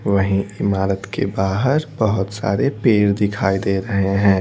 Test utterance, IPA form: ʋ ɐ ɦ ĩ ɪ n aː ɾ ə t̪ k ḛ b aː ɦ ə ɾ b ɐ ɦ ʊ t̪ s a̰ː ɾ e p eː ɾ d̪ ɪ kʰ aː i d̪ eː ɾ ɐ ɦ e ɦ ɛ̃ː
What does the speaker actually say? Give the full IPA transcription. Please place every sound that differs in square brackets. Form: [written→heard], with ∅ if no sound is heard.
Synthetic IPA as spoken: ʋ ɐ ɦ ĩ ɪ [n→m] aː ɾ ə t̪ k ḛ b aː ɦ ə ɾ b ɐ ɦ ʊ t̪ s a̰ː ɾ e p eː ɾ d̪ ɪ kʰ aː i d̪ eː ɾ ɐ ɦ e ɦ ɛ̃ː